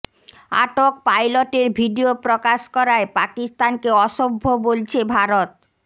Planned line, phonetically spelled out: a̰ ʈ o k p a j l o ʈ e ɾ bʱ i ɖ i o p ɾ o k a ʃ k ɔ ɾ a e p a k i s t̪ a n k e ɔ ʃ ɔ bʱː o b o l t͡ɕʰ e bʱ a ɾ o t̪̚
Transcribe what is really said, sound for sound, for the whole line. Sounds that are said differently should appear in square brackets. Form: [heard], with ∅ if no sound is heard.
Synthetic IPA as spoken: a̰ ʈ o k p a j l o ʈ e ɾ bʱ i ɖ i o p ɾ o k a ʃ k ɔ ɾ a e p a k i s t̪ a n k e ɔ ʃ [o] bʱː o b o l t͡ɕʰ e bʱ a ɾ o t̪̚